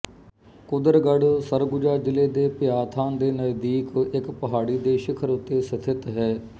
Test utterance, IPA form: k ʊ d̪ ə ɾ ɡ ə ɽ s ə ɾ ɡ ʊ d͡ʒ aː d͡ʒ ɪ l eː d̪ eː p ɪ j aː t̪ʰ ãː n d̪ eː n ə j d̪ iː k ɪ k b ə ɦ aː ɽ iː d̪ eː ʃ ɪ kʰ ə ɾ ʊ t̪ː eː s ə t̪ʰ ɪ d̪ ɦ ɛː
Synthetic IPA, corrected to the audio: k ʊ d̪ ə ɾ ɡ ə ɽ s ə ɾ ɡ ʊ d͡ʒ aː d͡ʒ ɪ l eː d̪ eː p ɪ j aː t̪ʰ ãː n d̪ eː n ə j d̪ iː k ɪ k p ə ɦ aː ɽ iː d̪ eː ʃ ɪ kʰ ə ɾ ʊ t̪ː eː s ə t̪ʰ ɪ t̪ ɦ ɛː